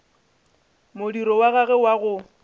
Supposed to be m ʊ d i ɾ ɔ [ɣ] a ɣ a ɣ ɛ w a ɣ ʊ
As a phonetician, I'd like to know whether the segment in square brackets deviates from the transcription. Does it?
yes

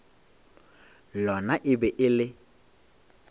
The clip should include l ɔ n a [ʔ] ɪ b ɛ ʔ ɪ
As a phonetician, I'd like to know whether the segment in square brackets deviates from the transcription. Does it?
no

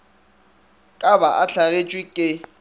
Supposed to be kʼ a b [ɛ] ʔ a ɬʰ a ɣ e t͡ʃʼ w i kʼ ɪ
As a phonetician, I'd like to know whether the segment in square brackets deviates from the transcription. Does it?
yes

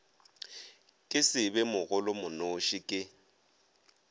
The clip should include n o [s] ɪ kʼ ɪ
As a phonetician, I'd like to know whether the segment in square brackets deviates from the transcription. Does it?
yes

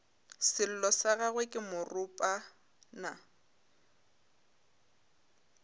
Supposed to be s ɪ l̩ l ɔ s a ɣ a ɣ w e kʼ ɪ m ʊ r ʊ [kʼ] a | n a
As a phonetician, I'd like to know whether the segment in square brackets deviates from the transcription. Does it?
yes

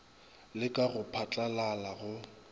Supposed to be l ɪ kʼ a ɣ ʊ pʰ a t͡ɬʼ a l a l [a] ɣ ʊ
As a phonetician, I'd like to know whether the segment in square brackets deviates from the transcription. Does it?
no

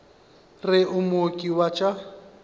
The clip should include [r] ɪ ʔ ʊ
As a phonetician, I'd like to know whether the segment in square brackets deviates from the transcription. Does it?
no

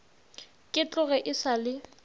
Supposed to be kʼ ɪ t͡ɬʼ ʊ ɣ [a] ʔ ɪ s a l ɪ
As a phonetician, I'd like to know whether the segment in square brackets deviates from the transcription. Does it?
yes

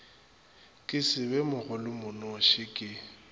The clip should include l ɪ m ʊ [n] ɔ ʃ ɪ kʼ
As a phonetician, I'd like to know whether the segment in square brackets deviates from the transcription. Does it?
no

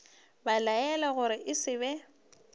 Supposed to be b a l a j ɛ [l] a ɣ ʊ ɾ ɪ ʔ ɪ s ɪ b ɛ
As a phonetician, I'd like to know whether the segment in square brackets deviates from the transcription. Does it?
no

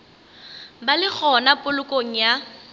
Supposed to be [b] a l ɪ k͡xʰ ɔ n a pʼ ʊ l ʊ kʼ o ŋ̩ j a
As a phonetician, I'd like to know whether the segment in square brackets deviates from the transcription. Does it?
no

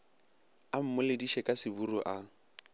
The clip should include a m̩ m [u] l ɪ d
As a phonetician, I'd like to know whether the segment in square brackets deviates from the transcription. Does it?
yes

